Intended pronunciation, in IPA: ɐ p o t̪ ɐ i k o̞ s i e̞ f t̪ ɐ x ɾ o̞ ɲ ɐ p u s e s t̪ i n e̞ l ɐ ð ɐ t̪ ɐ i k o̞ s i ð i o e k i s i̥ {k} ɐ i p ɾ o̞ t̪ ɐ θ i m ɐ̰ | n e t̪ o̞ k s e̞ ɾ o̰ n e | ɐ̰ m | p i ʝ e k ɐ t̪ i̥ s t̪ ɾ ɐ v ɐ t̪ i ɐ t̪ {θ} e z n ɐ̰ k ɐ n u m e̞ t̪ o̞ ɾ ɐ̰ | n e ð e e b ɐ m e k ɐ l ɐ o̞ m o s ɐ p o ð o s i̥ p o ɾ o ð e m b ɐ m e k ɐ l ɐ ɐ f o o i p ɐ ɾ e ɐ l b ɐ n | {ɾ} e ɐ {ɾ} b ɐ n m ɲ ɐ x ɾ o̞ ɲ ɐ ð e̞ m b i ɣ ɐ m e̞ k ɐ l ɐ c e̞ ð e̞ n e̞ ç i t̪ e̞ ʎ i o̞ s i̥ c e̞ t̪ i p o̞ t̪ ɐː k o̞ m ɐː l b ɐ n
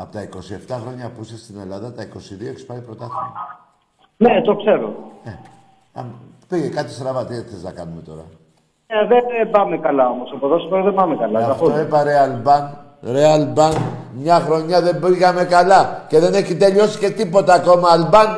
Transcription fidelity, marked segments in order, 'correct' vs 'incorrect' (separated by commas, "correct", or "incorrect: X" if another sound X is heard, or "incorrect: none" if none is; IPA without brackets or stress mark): incorrect: p, correct, correct, incorrect: l